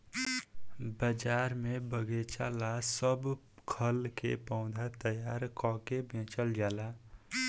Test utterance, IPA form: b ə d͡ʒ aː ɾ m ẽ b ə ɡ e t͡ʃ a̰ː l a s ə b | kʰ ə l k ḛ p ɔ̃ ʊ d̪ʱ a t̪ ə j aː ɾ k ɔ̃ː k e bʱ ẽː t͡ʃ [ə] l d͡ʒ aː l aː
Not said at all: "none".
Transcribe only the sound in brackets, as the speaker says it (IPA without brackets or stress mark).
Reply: ə